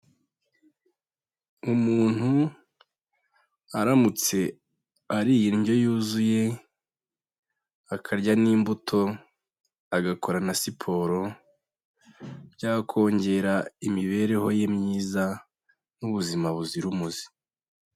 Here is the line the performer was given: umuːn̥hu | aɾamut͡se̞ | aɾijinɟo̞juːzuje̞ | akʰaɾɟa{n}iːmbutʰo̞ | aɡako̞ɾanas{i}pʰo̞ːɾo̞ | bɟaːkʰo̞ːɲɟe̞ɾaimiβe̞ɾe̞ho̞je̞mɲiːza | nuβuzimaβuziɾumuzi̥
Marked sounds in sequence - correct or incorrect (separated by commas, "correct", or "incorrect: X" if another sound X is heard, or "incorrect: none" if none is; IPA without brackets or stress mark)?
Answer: correct, correct